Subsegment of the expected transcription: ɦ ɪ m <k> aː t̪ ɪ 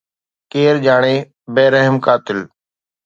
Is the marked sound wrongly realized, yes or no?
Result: no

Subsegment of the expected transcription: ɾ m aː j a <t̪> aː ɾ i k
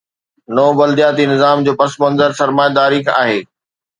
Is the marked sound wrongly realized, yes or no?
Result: yes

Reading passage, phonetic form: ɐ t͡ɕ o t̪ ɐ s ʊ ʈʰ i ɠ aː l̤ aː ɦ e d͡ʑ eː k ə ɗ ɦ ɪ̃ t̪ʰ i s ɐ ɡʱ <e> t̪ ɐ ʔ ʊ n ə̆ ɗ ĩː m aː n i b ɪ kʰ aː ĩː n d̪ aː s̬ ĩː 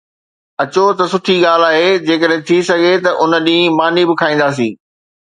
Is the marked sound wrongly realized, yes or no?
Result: no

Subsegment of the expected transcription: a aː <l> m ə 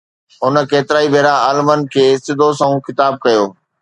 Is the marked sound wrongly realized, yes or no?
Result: no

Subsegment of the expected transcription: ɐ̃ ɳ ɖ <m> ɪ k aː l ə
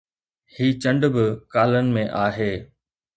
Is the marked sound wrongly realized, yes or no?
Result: yes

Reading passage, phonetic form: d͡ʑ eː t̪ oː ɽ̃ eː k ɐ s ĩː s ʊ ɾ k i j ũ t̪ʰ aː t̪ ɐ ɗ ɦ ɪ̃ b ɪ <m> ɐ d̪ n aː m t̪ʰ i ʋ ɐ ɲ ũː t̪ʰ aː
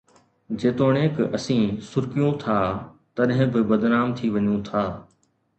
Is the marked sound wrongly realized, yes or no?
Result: yes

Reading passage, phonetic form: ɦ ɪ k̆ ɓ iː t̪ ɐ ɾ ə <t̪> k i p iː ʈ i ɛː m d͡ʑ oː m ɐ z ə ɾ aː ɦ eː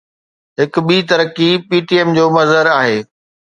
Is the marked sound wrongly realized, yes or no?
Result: yes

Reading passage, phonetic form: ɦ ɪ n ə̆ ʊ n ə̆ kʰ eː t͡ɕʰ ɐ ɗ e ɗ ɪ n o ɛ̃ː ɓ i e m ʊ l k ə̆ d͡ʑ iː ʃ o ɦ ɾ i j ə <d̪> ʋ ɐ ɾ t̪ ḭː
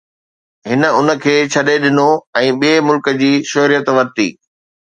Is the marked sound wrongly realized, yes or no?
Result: yes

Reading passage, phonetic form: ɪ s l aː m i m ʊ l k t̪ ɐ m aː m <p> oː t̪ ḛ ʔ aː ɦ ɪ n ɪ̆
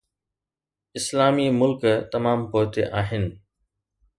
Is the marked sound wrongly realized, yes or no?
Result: no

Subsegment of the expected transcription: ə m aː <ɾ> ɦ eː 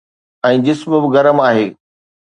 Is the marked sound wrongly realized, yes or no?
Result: yes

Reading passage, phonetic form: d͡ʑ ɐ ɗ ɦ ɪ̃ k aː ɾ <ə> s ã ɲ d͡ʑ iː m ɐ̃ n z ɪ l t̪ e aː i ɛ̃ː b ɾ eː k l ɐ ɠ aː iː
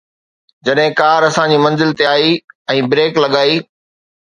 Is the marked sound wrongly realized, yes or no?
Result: yes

